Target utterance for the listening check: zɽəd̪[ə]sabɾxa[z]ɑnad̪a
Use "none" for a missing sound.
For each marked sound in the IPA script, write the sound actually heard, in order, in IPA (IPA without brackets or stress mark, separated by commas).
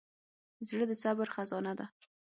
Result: ə, z